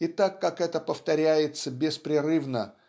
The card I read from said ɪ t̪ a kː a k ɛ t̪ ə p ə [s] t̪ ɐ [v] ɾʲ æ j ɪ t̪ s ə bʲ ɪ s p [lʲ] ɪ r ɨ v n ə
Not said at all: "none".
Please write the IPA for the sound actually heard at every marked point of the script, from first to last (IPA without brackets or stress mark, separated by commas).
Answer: f, none, ɾʲ